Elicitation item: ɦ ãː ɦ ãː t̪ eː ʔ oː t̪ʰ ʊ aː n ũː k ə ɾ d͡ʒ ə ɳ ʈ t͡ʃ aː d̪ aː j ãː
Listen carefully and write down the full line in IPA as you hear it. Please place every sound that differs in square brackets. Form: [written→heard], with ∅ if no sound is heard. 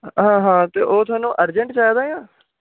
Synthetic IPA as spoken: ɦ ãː ɦ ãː t̪ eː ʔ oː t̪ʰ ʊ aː n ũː [k→ʔ] ə ɾ d͡ʒ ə ɳ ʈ t͡ʃ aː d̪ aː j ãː